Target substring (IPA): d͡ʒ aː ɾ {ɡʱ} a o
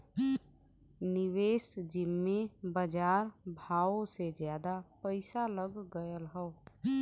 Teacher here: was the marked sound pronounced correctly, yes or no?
no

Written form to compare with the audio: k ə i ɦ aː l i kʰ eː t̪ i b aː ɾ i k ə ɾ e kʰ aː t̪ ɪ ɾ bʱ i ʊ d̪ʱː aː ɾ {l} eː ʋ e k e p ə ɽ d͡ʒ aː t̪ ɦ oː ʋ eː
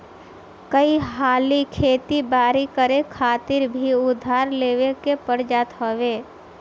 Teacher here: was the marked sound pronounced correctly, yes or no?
yes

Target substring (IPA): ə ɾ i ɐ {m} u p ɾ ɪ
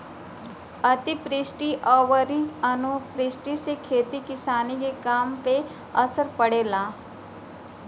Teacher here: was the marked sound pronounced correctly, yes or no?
no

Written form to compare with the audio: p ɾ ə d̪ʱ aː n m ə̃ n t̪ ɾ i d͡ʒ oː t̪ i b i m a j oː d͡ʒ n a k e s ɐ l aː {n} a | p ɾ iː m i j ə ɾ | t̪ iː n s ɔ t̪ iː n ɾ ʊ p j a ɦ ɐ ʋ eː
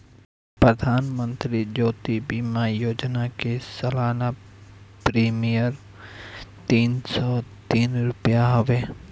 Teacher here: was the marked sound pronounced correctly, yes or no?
yes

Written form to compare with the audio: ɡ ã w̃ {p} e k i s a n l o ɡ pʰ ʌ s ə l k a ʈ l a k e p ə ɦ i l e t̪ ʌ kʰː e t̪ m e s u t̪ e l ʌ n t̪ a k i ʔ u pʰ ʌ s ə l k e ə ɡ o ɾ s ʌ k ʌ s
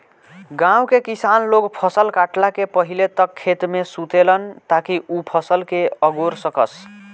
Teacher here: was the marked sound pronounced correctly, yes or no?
no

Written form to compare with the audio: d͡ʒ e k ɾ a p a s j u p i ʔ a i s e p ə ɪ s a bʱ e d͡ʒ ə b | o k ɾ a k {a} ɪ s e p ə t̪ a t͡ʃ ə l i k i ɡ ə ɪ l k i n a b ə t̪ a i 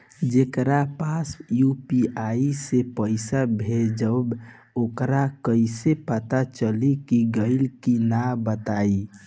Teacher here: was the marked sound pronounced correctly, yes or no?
no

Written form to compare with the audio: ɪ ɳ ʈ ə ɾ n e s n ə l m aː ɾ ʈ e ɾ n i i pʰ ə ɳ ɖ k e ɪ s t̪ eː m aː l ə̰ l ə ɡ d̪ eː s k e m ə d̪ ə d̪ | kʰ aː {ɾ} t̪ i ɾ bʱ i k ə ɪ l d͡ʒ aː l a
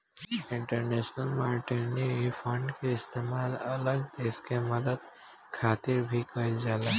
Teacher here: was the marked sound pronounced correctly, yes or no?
no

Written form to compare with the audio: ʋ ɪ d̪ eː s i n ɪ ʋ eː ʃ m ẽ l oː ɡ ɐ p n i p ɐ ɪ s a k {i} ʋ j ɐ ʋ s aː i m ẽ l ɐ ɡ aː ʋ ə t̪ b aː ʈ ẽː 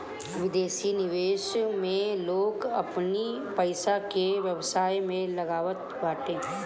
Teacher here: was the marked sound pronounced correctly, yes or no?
no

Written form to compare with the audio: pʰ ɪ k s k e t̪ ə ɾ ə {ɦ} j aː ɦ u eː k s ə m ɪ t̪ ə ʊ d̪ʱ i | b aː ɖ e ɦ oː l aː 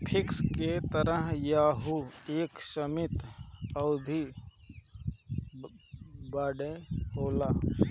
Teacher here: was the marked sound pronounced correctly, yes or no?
yes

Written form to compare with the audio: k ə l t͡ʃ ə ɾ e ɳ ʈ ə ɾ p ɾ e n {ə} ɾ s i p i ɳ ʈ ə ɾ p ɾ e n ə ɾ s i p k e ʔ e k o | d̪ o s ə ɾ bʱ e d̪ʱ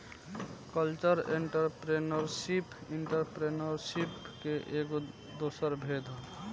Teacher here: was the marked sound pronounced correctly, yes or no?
yes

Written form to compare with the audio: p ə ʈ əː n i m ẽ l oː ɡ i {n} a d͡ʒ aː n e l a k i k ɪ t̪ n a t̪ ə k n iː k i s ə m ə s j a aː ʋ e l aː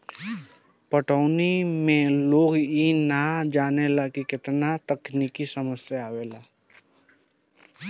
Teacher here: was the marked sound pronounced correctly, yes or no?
yes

